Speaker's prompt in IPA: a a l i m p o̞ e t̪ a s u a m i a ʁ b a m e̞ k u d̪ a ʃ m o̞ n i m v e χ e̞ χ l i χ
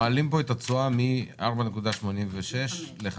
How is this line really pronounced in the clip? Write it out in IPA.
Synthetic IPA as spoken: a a l i m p o̞ e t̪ a t͡s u a m i a ʁ b a n e̞ k u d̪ a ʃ m o̞ n i m v e ʃ e̞ ʃ l e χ